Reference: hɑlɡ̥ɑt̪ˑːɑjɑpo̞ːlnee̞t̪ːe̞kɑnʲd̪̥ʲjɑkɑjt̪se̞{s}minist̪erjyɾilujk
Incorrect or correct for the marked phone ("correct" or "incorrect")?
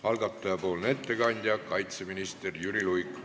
incorrect